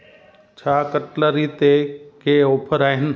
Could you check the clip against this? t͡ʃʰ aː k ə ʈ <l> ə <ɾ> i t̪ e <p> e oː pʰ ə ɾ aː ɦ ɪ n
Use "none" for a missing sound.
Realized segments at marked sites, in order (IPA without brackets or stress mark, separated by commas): l, ɾ, k